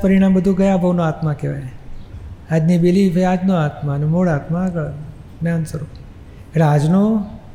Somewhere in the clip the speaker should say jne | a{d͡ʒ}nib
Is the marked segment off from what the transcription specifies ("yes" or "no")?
no